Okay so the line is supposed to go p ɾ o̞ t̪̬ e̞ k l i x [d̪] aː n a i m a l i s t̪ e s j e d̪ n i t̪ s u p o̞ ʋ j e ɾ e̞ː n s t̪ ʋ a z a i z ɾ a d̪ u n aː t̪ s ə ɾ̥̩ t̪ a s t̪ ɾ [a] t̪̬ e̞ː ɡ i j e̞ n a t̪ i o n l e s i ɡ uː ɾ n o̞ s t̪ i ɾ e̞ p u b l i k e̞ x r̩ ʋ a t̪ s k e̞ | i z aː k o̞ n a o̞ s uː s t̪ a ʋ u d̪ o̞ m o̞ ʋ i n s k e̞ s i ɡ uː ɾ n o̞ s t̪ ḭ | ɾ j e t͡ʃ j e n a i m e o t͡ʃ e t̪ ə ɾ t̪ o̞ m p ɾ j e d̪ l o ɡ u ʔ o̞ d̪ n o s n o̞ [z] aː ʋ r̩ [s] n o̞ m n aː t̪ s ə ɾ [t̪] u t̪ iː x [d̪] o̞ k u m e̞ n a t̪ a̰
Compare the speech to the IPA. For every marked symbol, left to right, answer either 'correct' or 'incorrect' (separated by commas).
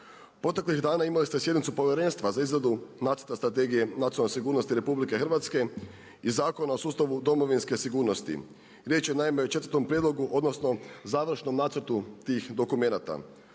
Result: correct, correct, correct, incorrect, correct, correct